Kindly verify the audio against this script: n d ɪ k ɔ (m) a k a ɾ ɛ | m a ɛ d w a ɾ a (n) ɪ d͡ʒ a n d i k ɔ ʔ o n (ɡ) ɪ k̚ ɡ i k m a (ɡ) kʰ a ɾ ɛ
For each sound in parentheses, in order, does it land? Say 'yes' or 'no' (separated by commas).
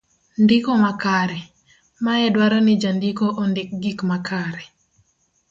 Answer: yes, yes, no, no